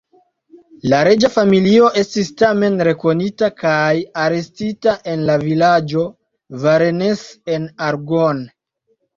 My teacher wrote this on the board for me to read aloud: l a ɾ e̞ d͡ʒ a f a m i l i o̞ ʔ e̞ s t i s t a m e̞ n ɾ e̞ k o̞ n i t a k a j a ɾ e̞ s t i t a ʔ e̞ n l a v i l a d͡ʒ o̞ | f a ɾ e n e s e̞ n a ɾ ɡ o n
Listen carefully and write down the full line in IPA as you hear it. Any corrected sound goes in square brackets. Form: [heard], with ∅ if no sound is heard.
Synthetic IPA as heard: l a ɾ e̞ d͡ʒ a f a m i l i o̞ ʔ e̞ s t i s t a m e̞ n ɾ e̞ k o̞ n i t a k a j a ɾ e̞ s t i t a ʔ e̞ n l a v i l a d͡ʒ o̞ | [v] a ɾ e n e s e̞ n a ɾ ɡ o n

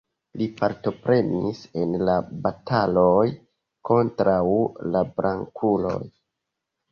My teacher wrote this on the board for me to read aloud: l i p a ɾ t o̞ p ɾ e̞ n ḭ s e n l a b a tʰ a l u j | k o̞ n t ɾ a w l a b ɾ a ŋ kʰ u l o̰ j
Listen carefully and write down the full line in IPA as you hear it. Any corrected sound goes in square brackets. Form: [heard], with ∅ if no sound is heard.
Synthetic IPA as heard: l i p a ɾ t o̞ p ɾ e̞ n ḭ s e n l a b a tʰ a l [o] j | k o̞ n t ɾ a w l a b ɾ a ŋ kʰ u l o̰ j

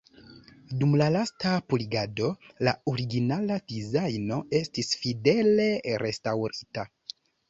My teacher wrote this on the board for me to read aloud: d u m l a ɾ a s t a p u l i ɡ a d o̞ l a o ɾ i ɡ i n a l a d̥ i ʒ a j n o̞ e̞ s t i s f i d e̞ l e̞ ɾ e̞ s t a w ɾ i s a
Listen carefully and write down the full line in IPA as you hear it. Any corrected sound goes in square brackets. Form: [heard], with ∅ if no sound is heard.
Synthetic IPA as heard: d u m l a [l] a s t a p u l i ɡ a d o̞ l a o ɾ i ɡ i n a l a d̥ i [z] a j n o̞ e̞ s t i s f i d e̞ l e̞ ɾ e̞ s t a w ɾ i [t] a

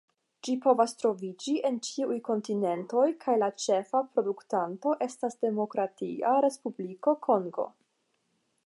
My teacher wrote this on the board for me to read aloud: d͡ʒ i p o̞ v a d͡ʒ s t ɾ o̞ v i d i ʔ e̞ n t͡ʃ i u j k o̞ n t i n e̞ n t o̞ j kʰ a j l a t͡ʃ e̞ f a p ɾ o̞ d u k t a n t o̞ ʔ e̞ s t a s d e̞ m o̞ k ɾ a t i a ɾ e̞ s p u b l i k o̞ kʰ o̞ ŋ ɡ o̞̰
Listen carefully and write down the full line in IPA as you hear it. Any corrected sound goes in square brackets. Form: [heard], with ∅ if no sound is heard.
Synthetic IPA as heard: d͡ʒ i p o̞ v a [∅] s t ɾ o̞ v i [d͡ʒ] i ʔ e̞ n t͡ʃ i u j k o̞ n t i n e̞ n t o̞ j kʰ a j l a t͡ʃ e̞ f a p ɾ o̞ d u k t a n t o̞ ʔ e̞ s t a s d e̞ m o̞ k ɾ a t i a ɾ e̞ s p u b l i k o̞ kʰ o̞ ŋ ɡ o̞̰

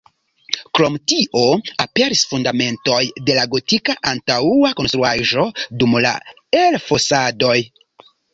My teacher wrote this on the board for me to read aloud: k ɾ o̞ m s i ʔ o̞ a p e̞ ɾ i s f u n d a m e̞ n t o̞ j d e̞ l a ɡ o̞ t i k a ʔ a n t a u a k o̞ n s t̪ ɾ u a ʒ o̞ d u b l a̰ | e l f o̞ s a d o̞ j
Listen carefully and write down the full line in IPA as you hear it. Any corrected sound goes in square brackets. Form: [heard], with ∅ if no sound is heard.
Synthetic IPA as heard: k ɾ o̞ m [t] i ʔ o̞ a p e̞ ɾ i s f u n d a m e̞ n t o̞ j d e̞ l a ɡ o̞ t i k a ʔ a n t a u a k o̞ n s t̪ ɾ u a ʒ o̞ d u [m] l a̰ | e l f o̞ s a d o̞ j

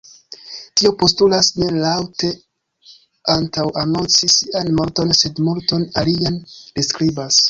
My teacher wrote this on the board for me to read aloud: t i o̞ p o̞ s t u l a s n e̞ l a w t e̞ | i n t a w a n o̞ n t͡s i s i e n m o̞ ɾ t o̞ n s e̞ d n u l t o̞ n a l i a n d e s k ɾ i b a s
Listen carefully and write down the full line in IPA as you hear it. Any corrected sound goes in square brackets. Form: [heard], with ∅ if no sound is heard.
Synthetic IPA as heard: t i o̞ p o̞ s t u l a s n e̞ l a w t e̞ | [a] n t a w a n o̞ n t͡s i s i [a] n m o̞ ɾ t o̞ n s e̞ d [m] u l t o̞ n a l i a n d e s k ɾ i b a s

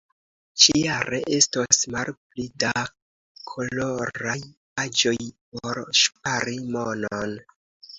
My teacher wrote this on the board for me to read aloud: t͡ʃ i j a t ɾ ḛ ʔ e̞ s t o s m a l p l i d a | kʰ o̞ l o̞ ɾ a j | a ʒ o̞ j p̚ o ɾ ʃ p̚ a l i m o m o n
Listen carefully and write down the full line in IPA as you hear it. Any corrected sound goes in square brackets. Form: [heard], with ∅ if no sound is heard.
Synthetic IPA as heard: t͡ʃ i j a [∅] ɾ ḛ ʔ e̞ s t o s m a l p l i d a | kʰ o̞ l o̞ ɾ a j | a [d͡ʒ] o̞ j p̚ o ɾ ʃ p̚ a [ɾ] i m o [n] o n

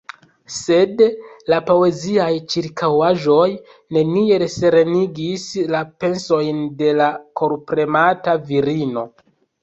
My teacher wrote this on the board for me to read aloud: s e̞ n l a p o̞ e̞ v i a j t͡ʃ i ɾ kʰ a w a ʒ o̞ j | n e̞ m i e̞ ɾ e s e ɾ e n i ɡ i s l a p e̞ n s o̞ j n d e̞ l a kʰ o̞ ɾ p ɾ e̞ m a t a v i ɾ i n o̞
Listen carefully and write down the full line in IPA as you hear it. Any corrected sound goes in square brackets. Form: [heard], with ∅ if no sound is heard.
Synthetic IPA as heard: s e̞ [d] l a p o̞ e̞ [z] i a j t͡ʃ i ɾ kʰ a w a ʒ o̞ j | n e̞ [n] i e̞ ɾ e s e ɾ e n i ɡ i s l a p e̞ n s o̞ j n d e̞ l a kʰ o̞ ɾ p ɾ e̞ m a t a v i ɾ i n o̞

